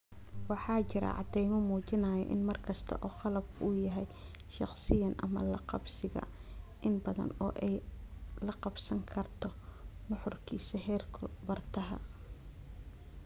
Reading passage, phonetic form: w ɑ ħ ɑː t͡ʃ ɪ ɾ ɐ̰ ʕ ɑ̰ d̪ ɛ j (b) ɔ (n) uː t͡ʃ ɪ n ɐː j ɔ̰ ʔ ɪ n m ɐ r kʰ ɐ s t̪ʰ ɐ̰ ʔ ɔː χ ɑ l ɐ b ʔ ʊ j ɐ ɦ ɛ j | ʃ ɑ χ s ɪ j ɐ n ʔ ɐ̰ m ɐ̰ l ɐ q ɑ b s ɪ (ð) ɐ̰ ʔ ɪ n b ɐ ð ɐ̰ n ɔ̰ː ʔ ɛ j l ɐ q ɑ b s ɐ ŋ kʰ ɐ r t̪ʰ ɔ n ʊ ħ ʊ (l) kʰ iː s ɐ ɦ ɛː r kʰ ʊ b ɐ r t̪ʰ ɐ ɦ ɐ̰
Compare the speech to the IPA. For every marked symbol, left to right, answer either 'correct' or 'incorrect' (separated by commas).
incorrect, incorrect, incorrect, incorrect